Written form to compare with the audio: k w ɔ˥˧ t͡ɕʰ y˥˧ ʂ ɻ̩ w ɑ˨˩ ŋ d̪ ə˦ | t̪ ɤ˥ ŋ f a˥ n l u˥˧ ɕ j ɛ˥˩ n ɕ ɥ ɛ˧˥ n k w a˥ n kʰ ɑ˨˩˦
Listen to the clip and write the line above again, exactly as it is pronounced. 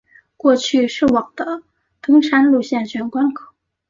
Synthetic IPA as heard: k w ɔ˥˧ t͡ɕʰ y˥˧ ʂ ɻ̩ w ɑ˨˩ ŋ d̪ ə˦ | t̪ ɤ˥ ŋ ʂ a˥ n l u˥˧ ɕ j ɛ˥˩ n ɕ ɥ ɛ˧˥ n k w a˥ n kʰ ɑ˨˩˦